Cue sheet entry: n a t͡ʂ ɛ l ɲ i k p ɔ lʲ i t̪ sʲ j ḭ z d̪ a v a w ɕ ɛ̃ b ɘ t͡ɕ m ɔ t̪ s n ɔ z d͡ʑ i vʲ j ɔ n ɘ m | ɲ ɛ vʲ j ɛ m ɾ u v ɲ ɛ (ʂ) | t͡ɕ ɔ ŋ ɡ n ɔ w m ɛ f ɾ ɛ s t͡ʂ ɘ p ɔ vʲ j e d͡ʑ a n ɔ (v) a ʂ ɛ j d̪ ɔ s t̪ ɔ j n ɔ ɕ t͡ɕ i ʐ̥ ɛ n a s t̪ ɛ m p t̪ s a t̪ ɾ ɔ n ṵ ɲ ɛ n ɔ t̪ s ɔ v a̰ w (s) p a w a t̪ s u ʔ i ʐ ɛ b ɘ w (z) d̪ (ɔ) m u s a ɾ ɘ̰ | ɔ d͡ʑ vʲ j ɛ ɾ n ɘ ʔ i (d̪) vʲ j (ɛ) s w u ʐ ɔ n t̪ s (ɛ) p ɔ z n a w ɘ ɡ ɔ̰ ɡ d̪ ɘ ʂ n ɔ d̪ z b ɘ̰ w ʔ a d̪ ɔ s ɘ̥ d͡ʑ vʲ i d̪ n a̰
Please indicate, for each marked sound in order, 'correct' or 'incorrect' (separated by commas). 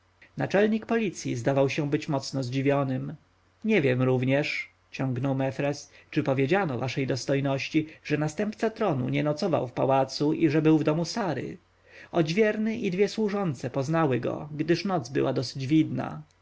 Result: correct, correct, incorrect, incorrect, correct, correct, correct, correct